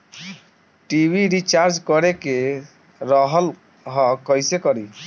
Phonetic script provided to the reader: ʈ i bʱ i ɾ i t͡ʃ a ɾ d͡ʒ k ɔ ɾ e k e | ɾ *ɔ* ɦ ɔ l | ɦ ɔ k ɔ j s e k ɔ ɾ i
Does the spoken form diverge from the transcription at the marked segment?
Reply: no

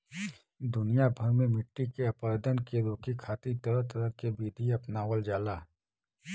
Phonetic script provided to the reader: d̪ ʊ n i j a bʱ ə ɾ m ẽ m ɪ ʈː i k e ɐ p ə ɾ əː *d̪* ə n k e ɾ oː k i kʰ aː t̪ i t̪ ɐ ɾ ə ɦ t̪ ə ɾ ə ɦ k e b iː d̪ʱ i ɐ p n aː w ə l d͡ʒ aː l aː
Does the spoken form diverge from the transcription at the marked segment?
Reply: no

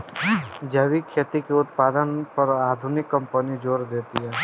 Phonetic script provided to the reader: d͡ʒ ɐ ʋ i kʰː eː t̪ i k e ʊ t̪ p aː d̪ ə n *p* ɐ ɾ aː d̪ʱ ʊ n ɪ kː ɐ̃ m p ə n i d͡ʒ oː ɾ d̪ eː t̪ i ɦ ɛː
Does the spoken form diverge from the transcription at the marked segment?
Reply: no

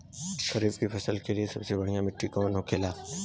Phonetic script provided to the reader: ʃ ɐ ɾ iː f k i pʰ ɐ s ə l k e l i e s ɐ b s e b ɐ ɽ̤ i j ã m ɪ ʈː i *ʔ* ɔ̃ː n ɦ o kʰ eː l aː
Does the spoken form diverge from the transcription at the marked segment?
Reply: yes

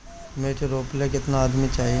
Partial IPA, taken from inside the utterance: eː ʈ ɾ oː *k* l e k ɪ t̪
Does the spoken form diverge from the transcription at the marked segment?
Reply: yes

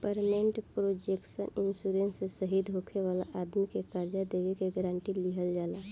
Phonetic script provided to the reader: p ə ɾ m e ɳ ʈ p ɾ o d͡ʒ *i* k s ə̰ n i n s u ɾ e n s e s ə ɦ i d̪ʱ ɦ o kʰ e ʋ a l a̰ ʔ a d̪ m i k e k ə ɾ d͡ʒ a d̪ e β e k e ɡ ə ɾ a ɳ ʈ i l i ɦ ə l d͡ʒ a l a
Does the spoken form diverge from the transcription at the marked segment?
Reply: yes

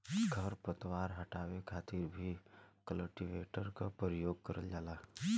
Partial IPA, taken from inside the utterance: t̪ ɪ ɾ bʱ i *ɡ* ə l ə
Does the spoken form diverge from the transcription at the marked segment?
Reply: yes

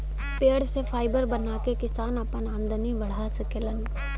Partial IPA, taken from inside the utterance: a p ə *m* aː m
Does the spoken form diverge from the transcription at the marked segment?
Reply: yes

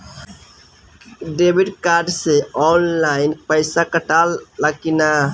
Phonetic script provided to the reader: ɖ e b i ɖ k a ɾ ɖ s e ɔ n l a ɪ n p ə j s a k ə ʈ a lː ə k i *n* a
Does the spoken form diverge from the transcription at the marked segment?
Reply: no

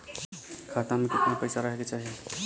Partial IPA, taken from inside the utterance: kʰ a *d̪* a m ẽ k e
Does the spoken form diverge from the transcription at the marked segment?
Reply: yes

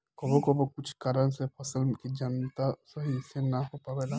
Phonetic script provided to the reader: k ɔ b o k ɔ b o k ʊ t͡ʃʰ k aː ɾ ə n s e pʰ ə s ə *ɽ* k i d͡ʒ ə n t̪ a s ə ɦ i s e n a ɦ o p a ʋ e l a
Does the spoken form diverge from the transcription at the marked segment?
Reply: yes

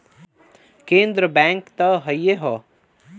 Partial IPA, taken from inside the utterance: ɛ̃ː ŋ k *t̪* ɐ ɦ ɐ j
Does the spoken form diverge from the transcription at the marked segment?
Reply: no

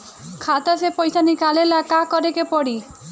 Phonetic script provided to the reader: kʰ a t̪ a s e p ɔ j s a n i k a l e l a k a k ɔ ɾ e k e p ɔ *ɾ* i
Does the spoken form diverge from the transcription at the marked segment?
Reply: yes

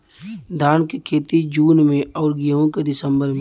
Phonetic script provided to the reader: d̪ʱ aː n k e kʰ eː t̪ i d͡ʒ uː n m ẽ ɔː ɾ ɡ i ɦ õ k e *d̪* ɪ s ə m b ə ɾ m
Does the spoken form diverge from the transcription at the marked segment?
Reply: no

